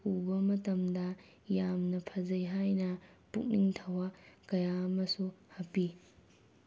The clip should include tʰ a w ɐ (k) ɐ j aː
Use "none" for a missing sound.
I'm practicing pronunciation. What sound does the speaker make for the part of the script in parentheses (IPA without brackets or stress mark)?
k